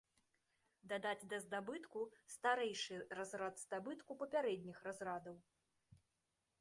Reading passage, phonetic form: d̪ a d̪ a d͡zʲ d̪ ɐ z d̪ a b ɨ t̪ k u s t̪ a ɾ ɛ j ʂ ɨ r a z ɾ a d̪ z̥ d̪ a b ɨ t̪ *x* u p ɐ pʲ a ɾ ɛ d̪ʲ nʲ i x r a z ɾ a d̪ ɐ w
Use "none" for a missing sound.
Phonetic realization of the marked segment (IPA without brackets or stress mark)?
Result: k